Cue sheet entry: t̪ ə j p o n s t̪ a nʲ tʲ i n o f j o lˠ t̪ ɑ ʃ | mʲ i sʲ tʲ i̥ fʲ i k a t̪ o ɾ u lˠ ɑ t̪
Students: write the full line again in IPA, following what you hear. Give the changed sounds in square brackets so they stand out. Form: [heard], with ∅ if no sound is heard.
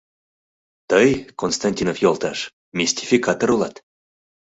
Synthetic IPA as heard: t̪ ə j [k] o n s t̪ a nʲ tʲ i n o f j o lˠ t̪ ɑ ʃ | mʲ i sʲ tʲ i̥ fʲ i k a t̪ o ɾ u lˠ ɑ t̪